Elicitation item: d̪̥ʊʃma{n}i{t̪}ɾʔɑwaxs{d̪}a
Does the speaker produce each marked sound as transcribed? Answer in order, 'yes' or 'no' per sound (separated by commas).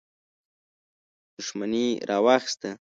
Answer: yes, no, no